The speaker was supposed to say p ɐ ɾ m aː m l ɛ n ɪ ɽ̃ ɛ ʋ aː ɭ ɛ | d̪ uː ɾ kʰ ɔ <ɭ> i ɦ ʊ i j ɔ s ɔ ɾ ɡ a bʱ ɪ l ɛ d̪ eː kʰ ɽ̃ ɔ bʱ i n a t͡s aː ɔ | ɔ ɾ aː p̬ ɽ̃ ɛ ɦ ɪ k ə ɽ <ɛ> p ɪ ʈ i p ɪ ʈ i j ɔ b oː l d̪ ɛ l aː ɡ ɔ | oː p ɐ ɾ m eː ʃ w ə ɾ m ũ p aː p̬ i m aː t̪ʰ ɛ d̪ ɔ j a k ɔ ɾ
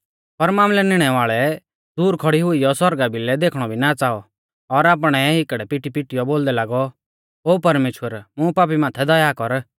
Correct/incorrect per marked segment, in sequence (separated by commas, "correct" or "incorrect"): incorrect, correct